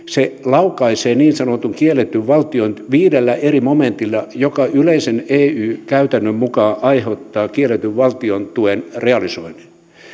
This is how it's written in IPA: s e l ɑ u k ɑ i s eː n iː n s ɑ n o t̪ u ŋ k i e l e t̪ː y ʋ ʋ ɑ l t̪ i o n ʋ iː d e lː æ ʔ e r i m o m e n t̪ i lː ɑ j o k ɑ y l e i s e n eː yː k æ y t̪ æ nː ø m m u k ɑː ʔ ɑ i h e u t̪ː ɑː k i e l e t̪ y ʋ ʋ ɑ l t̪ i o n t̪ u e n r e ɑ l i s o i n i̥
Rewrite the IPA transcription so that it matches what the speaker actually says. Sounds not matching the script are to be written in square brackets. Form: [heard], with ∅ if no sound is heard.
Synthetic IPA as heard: s e l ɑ u k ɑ i s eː n iː n s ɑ n o t̪ u ŋ k i e l e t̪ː y ʋ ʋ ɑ l t̪ i o n ʋ iː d e lː æ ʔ e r i m o m e n t̪ i lː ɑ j o k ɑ y l e i s e n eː yː k æ y t̪ æ nː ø m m u k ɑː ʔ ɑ i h e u t̪ː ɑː k i e l e t̪ y ʋ ʋ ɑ l t̪ i o n t̪ u e n r e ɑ l i s o i n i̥